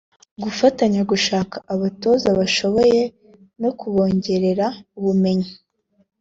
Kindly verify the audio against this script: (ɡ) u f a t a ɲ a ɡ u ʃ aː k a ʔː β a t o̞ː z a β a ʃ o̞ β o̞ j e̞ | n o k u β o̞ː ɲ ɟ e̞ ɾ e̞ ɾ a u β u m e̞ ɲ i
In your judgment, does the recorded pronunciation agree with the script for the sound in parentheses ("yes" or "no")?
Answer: yes